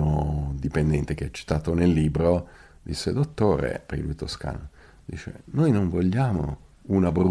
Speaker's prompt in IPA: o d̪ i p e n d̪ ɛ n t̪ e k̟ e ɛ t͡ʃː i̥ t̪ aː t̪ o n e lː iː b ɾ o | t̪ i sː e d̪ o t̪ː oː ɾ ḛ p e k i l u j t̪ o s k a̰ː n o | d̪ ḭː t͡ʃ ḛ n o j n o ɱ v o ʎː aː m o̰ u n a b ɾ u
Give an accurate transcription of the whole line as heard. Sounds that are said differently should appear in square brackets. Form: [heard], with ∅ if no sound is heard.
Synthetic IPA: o d̪ i p e n d̪ ɛ n t̪ e k̟ e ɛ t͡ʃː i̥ t̪ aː t̪ o n e lː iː b ɾ o | [d̪] i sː e d̪ o t̪ː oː ɾ ḛ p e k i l u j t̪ o s k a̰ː n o | d̪ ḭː t͡ʃ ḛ n o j n o ɱ v o ʎː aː m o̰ u n a b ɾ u